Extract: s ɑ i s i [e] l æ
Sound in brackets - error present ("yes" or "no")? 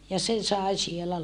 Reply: no